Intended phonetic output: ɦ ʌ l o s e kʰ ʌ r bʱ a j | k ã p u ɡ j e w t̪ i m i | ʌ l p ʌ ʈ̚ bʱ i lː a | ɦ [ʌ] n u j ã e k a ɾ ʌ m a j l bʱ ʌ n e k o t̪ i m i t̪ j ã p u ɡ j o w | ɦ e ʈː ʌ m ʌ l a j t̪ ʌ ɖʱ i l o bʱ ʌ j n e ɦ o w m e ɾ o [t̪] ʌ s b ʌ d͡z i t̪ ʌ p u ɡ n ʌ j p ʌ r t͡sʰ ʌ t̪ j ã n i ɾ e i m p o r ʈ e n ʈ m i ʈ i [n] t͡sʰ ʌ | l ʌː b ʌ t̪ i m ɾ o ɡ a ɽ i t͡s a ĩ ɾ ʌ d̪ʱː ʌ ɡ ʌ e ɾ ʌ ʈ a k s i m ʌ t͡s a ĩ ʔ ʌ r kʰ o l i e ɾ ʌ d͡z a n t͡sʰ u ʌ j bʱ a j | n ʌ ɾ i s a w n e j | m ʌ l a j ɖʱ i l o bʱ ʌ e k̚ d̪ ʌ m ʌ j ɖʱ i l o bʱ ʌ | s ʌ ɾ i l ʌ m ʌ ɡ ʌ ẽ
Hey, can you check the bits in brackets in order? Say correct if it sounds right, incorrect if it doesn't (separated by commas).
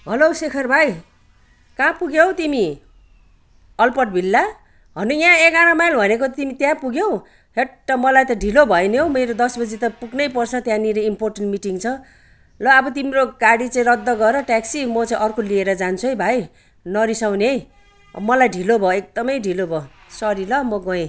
correct, incorrect, incorrect